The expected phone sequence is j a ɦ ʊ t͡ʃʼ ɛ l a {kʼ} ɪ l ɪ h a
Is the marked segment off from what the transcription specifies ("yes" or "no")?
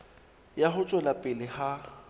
yes